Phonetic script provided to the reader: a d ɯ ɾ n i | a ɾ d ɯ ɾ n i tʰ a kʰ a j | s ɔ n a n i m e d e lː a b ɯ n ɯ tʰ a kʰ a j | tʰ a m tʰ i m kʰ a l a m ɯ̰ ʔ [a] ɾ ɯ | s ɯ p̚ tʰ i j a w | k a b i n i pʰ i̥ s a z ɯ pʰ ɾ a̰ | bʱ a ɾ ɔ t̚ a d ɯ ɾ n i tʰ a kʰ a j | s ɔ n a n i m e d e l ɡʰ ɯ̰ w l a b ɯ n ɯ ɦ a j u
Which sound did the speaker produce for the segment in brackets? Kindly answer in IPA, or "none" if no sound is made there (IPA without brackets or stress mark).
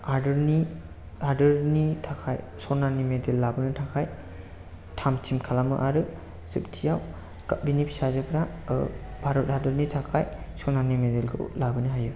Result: a